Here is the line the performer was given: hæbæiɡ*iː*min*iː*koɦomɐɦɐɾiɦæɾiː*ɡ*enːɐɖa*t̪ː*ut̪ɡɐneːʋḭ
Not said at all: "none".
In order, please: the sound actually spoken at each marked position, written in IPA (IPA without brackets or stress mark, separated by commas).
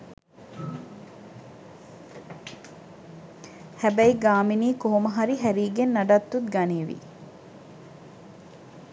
aː, iː, ɡ, t̪ː